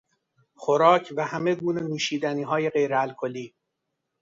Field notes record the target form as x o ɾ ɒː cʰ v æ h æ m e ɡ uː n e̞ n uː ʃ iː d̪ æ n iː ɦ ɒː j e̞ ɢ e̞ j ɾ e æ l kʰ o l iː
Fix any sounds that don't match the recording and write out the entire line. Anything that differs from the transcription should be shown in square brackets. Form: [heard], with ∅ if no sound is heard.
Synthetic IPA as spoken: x o ɾ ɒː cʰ v æ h æ m e ɡ uː n e̞ n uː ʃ iː d̪ æ n iː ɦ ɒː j e̞ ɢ e̞ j ɾ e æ l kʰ o l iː

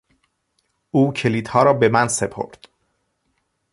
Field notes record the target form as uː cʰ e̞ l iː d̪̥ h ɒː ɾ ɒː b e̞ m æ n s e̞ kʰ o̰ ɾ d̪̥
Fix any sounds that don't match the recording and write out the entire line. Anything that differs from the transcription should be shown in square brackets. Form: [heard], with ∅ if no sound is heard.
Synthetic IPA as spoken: uː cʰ e̞ l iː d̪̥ h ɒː ɾ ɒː b e̞ m æ n s e̞ [pʰ] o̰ ɾ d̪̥

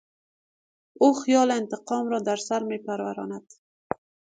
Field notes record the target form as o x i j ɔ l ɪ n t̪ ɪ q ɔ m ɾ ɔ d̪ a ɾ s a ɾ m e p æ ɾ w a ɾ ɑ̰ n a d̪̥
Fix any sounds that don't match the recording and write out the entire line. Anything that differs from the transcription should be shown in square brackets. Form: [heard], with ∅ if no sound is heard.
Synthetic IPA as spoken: o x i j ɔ l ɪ n t̪ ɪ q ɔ m ɾ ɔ d̪ a ɾ s a ɾ m e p [a] ɾ w a ɾ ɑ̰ n a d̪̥

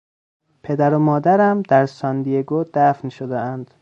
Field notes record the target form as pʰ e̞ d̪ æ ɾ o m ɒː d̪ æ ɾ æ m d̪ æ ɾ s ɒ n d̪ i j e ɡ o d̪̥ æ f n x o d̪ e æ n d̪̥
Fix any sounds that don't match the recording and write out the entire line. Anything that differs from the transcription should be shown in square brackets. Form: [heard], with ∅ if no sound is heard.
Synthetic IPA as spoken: pʰ e̞ d̪ æ ɾ o m ɒː d̪ æ ɾ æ m d̪ æ ɾ s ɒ n d̪ i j e ɡ o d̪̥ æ f n [ʃ] o d̪ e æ n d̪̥

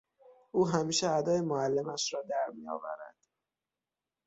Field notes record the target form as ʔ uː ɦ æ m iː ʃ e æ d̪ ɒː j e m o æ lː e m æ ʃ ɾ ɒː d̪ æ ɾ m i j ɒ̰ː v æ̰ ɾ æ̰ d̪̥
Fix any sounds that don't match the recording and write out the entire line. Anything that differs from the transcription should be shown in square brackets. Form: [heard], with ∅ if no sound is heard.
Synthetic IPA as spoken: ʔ uː ɦ æ m iː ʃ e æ d̪ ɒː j e m o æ lː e m æ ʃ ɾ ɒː d̪ æ ɾ m i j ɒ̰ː v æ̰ ɾ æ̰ d̪̥

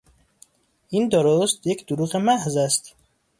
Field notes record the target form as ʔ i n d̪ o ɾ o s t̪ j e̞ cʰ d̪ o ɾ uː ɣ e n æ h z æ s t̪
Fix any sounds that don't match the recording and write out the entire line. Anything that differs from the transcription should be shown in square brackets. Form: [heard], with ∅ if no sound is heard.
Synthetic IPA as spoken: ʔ i n d̪ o ɾ o s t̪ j e̞ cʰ d̪ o ɾ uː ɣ e [m] æ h z æ s t̪

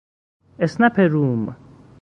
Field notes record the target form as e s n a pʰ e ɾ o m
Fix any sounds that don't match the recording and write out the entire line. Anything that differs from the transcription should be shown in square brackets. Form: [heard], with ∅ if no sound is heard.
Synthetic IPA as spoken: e s n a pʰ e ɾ [u] m

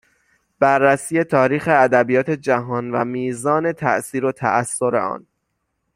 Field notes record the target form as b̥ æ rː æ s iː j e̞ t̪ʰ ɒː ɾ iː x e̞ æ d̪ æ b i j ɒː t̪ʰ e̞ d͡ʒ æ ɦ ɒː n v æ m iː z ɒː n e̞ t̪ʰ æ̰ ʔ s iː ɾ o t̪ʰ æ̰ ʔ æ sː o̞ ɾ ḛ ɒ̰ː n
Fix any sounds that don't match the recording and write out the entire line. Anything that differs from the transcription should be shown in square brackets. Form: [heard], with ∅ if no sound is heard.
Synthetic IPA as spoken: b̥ æ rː æ s iː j e̞ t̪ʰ ɒː ɾ iː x e̞ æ d̪ æ b i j ɒː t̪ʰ e̞ d͡ʒ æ ɦ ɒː n v æ m iː z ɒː n e̞ t̪ʰ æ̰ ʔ s iː ɾ o t̪ʰ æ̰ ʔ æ sː o̞ ɾ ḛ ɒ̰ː n

